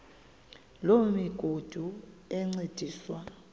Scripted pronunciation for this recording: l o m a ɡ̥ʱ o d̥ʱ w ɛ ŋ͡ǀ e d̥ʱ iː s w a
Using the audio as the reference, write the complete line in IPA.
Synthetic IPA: l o m i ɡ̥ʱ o d̥ʱ u ɛ ŋ͡ǀ e d̥ʱ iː s w a

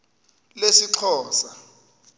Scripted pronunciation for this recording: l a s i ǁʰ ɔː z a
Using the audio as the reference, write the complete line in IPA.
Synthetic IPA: l e s i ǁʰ ɔː s a

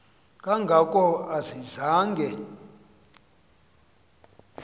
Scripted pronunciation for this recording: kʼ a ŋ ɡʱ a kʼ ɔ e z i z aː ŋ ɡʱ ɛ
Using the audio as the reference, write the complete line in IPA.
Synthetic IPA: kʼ a ŋ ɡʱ a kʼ ɔ a z i z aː ŋ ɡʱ ɛ

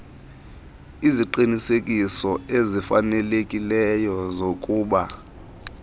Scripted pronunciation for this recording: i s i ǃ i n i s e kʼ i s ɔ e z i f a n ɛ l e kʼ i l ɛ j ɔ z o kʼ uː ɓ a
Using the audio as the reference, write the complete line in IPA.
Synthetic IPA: i z i ǃ i n i s e kʼ i s ɔ e z i f a n ɛ l e kʼ i l ɛ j ɔ z o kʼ uː ɓ a

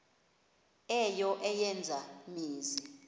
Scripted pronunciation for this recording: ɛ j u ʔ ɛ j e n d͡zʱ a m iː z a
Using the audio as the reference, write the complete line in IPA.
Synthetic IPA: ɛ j ɔ ʔ ɛ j ɛ n d͡zʱ a m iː z i

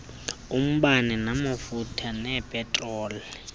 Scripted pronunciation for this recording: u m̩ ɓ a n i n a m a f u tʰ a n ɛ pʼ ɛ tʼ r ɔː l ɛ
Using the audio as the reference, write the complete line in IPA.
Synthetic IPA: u m̩ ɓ a n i n a m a f u tʰ a n ɛ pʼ ɛ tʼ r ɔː l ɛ

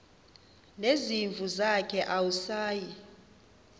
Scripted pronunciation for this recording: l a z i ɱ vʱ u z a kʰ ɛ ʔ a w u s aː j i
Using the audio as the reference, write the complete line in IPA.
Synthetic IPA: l e z i ɱ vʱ u z a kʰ ɛ ʔ a w u s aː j i

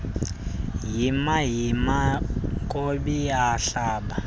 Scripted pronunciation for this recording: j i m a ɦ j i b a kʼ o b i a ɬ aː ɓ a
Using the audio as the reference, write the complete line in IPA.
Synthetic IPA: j i m a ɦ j i m a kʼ o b i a ɬ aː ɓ a

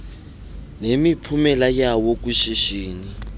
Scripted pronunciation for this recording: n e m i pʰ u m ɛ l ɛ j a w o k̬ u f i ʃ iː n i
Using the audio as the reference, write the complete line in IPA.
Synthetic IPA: n e m i pʰ u m ɛ l a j a w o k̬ u ʃ i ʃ iː n i

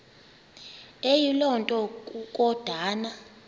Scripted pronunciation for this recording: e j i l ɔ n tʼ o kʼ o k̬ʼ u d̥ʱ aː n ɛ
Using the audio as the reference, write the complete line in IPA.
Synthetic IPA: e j i l ɔ n tʼ ɔ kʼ u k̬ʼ ɔ d̥ʱ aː n a

